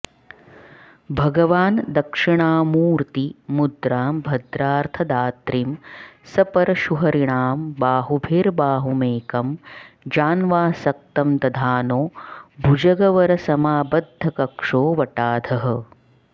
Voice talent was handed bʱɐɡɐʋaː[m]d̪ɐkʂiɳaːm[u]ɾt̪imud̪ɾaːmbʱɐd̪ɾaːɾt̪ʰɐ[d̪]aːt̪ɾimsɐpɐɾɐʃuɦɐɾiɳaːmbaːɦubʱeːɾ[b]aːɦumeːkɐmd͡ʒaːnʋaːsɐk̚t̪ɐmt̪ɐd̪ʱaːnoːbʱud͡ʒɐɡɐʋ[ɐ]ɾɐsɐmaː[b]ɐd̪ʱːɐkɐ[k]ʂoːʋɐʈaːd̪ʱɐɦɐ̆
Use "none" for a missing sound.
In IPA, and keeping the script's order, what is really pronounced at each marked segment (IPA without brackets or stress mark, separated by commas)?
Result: n, uː, d̪, b, ɐ, b, k